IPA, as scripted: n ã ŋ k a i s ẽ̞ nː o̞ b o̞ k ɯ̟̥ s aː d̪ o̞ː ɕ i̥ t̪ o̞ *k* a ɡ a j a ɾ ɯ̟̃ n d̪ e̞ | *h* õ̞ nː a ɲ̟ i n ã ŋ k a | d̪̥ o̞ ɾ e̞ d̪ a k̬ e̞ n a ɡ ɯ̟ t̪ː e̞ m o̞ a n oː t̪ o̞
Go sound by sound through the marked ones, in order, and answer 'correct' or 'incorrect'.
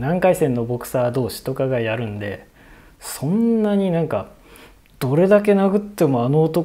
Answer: correct, incorrect

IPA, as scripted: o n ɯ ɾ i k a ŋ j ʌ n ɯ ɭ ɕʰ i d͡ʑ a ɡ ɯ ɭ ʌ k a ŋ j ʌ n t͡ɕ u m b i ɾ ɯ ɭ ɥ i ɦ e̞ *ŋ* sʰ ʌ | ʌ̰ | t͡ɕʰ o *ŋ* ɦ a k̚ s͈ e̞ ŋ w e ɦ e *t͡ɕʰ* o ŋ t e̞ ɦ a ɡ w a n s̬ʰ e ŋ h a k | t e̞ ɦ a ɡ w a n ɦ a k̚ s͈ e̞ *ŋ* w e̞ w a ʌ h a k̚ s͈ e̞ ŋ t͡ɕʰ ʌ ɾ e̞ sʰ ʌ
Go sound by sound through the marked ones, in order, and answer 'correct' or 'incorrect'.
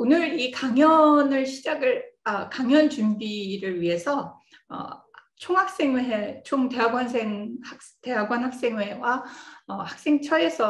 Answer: incorrect, correct, correct, correct

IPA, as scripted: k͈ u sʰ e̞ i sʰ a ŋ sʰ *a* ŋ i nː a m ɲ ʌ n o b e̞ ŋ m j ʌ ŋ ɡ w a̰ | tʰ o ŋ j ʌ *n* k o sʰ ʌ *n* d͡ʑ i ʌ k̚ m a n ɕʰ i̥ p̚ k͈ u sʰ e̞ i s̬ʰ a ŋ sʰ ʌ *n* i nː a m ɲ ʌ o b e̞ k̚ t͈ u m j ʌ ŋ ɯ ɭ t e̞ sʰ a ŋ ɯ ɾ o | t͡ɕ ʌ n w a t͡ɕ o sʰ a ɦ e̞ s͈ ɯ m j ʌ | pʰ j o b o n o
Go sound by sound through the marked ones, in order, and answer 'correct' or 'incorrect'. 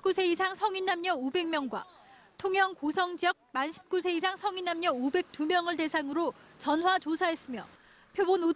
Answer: incorrect, incorrect, incorrect, incorrect

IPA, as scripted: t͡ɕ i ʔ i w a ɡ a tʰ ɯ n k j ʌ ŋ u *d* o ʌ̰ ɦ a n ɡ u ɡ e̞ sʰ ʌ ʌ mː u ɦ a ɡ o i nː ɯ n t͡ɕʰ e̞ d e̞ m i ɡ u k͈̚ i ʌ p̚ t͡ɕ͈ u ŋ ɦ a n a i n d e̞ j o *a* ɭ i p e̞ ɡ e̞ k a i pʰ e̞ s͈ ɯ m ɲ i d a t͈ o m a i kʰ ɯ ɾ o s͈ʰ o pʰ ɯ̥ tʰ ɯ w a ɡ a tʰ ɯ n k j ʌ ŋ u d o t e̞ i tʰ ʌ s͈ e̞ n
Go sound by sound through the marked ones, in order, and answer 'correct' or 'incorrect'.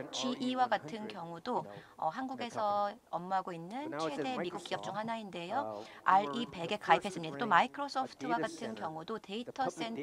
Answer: correct, correct

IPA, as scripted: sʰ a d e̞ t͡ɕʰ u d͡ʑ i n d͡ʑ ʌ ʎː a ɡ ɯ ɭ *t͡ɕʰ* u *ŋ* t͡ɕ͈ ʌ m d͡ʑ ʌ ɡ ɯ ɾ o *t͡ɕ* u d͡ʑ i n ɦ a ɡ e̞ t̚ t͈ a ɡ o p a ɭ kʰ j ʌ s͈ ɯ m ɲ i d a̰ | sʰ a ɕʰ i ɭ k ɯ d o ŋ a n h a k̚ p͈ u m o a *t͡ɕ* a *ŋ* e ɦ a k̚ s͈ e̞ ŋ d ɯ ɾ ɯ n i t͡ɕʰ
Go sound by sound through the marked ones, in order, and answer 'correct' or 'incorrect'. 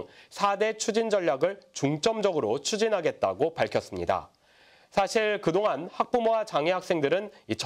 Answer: incorrect, correct, incorrect, correct, correct

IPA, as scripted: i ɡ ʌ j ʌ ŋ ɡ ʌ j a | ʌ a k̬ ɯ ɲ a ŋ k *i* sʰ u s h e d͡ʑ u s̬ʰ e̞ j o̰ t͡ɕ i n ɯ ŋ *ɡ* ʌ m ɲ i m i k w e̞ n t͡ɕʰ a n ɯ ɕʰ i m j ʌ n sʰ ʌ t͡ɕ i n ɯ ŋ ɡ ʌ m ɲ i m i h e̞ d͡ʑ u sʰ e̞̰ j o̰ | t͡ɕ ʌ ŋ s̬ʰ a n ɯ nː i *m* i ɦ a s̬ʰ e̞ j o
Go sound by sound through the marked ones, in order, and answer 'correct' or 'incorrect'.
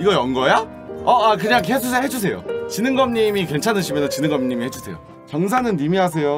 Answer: incorrect, correct, correct

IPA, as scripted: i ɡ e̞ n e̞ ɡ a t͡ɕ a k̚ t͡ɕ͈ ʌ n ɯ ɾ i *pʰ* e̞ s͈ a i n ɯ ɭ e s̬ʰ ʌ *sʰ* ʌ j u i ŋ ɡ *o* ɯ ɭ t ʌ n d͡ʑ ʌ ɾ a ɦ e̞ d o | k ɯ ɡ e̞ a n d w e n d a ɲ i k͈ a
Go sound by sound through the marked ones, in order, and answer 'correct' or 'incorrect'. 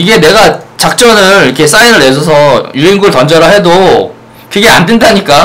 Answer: incorrect, correct, incorrect

